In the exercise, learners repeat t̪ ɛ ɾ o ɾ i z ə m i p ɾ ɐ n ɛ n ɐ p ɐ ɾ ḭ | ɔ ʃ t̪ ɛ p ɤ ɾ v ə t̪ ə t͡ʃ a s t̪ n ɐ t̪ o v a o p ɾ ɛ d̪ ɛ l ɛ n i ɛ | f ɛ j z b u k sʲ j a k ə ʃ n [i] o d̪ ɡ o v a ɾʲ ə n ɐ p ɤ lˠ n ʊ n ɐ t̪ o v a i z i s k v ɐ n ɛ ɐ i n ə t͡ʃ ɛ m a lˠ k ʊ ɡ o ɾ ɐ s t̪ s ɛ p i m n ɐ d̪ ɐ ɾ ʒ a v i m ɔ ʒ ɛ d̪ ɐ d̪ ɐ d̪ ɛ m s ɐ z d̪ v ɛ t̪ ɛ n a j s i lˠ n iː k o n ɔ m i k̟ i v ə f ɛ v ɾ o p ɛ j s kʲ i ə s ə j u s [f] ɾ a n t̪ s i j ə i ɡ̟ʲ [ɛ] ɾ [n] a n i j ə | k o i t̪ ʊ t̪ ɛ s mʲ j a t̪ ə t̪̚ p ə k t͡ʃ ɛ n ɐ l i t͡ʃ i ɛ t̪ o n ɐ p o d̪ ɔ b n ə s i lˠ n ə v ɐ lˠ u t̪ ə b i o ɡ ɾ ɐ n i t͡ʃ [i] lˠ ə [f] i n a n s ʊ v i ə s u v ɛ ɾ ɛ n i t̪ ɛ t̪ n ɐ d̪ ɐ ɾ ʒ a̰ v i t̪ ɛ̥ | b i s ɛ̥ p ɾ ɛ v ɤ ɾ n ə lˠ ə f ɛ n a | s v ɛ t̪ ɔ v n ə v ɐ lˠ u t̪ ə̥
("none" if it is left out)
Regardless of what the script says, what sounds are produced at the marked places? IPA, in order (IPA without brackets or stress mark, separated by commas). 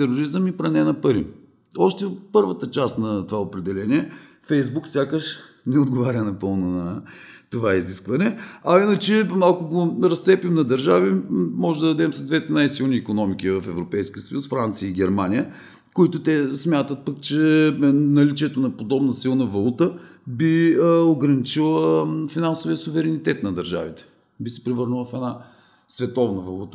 ɛ, f, ɛ, m, i, f